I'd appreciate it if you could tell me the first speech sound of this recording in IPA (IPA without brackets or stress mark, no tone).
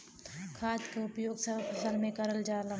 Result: kʰ